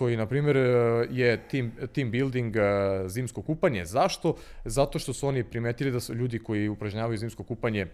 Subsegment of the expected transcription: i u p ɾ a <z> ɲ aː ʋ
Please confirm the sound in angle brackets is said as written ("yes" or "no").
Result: no